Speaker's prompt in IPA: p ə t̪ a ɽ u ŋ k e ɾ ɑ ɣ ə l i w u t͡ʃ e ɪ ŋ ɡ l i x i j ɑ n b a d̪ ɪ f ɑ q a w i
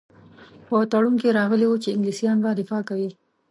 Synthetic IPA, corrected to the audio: p ə t̪ a ɽ u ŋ k e ɾ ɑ ɣ ə l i w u t͡ʃ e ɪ ŋ ɡ l i s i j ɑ n b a d̪ ɪ f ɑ k a w i